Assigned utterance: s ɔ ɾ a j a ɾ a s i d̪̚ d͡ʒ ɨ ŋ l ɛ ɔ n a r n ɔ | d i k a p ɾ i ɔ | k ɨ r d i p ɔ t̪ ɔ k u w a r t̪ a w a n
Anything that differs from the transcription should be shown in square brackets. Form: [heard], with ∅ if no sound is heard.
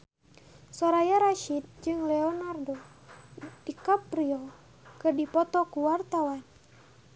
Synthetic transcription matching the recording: s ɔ ɾ a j a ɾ a [ʃ] i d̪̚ d͡ʒ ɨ ŋ l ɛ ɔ n a r [d] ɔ | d i k a p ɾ i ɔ | k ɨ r d i p ɔ t̪ ɔ k u w a r t̪ a w a n